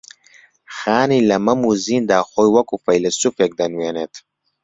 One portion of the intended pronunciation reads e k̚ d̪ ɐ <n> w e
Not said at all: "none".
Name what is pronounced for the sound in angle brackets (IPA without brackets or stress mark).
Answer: n